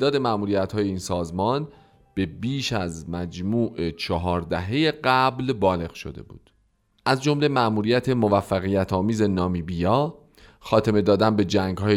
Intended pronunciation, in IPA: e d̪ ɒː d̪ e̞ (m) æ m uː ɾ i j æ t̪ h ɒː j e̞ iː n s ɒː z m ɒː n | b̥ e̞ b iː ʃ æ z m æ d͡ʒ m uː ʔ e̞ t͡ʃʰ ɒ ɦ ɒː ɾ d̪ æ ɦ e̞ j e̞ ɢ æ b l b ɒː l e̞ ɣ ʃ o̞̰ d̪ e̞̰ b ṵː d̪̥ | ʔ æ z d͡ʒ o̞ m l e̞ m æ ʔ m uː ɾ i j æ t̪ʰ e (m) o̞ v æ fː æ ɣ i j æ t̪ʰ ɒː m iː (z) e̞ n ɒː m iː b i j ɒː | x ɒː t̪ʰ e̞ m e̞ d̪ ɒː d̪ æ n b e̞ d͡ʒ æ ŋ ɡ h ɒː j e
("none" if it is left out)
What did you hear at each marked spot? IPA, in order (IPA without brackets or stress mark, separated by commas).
m, m, z